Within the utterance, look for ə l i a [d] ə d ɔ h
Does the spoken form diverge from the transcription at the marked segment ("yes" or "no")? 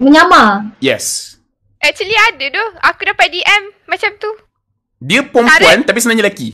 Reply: no